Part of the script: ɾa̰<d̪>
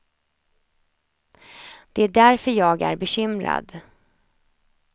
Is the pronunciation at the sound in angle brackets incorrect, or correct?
correct